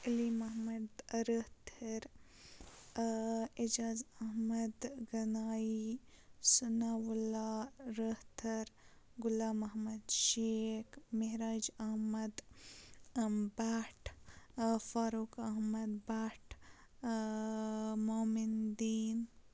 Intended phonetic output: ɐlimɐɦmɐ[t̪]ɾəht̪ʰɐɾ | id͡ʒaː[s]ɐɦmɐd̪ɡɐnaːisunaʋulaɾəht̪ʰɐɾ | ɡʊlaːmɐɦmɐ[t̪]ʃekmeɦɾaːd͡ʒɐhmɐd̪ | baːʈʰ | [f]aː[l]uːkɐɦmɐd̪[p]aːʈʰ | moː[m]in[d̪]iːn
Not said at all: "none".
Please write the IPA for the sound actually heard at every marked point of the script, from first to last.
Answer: d̪, z, d̪, f, ɾ, b, m, d̪

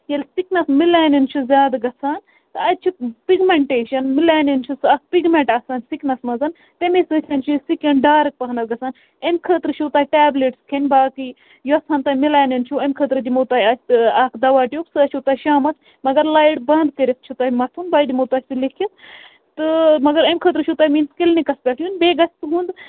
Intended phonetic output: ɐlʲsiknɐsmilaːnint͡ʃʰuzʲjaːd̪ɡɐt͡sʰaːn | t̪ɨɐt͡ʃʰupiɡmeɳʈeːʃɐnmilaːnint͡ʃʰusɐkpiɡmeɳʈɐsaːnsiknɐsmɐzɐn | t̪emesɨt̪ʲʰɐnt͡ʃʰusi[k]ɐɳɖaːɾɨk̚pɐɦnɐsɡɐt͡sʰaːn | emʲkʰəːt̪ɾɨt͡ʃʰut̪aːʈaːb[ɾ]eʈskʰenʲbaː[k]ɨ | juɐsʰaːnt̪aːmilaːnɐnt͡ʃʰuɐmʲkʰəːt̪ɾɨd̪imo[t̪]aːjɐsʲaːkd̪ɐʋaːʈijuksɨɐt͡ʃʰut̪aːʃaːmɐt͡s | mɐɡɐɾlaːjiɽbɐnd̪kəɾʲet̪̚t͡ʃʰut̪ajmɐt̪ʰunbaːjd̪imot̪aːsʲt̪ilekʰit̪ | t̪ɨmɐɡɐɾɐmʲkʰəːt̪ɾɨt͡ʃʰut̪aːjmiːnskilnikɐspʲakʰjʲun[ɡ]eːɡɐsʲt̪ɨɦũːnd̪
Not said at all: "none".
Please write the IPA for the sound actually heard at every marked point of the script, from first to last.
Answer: k, l, k, t̪, b

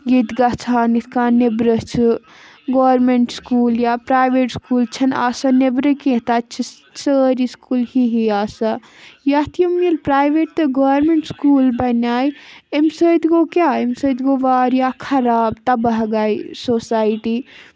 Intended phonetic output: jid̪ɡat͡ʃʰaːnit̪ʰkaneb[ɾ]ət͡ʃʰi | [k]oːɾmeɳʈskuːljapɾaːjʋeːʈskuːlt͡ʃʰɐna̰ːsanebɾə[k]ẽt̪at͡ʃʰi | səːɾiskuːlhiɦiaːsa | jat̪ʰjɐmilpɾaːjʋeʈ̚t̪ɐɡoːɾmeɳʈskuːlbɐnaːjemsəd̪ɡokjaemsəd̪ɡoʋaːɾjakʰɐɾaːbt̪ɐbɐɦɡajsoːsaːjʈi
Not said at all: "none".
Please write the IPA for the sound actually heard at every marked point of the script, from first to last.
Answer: ɾ, ɡ, k

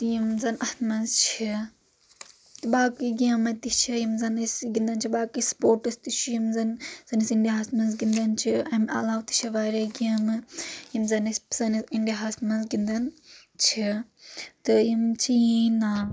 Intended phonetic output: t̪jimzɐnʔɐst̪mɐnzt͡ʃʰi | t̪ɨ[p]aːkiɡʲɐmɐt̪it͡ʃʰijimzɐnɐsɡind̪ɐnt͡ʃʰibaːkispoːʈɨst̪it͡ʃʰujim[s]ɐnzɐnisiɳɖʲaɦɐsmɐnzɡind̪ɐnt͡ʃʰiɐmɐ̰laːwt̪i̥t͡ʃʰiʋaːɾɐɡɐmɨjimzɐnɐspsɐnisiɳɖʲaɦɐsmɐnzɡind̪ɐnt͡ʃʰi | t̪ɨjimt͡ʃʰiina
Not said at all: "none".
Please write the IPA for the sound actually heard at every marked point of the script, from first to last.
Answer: b, z

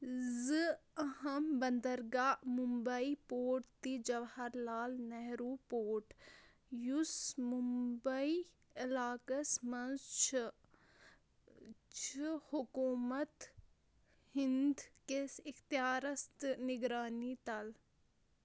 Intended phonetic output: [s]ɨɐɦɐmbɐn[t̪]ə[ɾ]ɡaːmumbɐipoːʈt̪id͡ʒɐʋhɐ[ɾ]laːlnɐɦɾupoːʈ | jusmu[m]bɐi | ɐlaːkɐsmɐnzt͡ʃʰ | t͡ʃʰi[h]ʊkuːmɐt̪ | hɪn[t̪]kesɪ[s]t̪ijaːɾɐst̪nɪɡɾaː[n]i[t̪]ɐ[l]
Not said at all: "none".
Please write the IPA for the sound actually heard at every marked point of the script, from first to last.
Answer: z, d̪, ɾ, ɾ, m, h, d̪, x, n, t̪, l

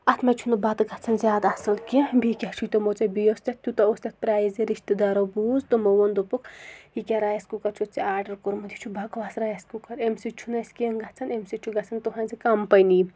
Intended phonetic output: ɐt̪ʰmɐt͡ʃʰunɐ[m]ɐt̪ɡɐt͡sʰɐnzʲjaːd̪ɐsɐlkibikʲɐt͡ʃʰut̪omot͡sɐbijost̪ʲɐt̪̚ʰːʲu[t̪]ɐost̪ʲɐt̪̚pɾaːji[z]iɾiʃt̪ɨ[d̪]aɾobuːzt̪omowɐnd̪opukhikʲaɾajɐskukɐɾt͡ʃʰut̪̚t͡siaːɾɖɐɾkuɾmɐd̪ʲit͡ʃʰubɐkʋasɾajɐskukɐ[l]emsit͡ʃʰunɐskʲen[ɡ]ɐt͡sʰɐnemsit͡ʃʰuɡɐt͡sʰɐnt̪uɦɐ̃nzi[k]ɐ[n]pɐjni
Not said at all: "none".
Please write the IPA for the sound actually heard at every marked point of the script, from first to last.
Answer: b, t̪, z, d̪, ɾ, ɡ, k, m

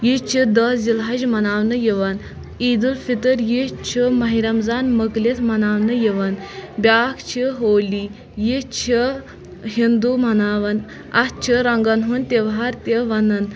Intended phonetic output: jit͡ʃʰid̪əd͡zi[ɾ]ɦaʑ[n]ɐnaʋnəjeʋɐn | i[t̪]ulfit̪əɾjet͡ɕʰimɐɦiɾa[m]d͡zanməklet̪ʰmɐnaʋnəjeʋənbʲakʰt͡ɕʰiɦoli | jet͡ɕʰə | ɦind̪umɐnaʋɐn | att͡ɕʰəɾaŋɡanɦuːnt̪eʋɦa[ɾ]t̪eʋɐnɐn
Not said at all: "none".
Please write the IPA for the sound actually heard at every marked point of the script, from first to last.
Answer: l, m, d̪, m, ɾ

